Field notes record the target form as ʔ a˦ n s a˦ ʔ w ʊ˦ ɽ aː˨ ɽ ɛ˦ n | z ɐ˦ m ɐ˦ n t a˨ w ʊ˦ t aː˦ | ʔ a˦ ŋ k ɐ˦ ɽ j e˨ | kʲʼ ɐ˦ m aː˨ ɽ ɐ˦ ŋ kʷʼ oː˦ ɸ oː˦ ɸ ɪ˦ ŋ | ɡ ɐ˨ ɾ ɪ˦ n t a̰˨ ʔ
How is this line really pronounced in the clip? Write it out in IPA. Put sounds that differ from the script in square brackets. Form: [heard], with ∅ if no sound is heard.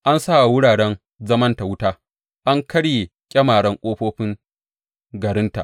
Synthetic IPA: ʔ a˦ n s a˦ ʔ w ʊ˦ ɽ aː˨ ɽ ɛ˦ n | z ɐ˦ m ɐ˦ n t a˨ w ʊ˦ t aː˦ | ʔ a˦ ŋ k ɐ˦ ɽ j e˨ | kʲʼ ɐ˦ m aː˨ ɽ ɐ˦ ŋ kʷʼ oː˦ ɸ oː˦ ɸ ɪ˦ ŋ | ɡ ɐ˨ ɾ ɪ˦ n t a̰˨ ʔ